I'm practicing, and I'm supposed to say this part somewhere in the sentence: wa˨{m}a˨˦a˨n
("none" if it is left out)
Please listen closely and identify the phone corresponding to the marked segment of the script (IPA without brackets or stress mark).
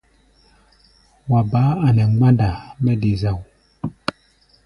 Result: b